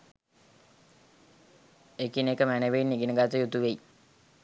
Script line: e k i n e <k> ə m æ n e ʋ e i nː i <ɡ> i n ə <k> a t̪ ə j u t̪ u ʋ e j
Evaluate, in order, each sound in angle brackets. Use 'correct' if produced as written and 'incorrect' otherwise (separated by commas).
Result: correct, correct, incorrect